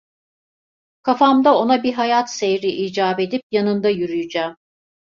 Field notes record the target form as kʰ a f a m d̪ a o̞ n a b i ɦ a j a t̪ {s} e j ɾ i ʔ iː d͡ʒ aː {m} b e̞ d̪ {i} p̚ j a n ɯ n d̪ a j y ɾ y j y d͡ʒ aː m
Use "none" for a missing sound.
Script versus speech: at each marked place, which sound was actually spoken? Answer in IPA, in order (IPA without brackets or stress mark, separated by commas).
s, none, i